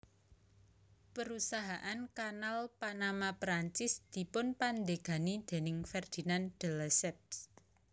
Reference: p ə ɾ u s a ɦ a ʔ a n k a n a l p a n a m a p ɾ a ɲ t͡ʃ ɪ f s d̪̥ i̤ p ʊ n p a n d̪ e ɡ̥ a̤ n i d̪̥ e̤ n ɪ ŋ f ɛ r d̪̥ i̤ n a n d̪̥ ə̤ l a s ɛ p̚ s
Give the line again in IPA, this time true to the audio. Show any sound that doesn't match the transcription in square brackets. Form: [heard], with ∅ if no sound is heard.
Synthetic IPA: p ə ɾ u s a ɦ a ʔ a n k a n a l p a n a m a p ɾ a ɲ t͡ʃ ɪ [∅] s d̪̥ i̤ p ʊ n p a n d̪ e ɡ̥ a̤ n i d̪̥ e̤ n ɪ ŋ f ɛ r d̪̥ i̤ n a n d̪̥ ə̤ l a s ɛ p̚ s